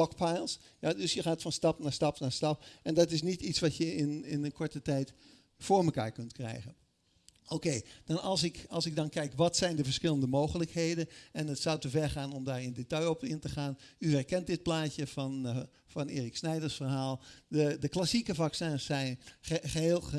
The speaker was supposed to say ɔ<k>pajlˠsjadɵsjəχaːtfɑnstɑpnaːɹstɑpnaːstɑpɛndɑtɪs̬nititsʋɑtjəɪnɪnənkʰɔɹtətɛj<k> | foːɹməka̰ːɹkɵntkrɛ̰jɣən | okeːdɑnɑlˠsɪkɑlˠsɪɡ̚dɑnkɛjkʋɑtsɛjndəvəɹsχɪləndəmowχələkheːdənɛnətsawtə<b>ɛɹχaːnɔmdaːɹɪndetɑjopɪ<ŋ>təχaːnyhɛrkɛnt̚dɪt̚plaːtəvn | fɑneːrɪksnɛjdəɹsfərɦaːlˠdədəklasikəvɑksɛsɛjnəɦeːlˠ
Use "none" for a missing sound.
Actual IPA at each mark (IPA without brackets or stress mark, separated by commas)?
k, t, v, n